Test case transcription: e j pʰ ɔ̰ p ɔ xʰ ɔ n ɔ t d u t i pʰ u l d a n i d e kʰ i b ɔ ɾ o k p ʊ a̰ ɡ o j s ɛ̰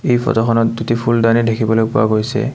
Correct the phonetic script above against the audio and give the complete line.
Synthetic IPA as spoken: e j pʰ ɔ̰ t ɔ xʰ ɔ n ɔ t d u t i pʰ u l d a n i d e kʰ i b ɔ l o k p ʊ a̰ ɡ o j s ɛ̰